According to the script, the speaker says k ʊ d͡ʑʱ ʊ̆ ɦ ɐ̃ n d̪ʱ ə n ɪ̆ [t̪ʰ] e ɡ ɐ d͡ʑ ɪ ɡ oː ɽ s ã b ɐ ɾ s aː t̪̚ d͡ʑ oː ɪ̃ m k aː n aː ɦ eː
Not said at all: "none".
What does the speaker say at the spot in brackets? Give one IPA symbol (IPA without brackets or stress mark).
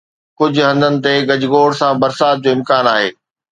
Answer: t̪